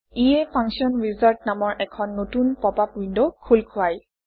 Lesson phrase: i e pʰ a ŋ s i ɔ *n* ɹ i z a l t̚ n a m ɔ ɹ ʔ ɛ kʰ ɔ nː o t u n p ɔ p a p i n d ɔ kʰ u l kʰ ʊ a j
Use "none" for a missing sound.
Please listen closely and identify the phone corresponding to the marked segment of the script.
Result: n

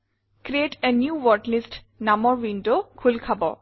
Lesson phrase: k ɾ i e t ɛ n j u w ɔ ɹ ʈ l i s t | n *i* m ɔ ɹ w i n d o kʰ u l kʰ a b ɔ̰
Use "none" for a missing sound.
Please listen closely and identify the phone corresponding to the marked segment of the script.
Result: a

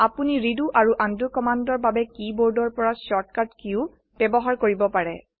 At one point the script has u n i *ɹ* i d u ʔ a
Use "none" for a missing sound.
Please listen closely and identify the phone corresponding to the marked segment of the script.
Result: ɹ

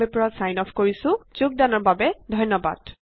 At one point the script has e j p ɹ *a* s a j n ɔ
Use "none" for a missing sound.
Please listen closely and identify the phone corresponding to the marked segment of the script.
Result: a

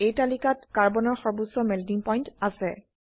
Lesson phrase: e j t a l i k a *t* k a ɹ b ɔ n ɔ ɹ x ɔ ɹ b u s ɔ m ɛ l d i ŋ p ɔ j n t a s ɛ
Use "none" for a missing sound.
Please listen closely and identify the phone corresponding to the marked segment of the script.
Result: t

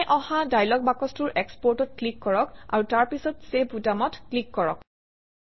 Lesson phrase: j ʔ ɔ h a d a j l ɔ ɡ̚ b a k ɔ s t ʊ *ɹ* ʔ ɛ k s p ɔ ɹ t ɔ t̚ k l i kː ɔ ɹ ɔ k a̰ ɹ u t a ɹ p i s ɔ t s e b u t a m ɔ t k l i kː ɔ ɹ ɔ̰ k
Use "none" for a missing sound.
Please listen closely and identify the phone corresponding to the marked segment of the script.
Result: ɹ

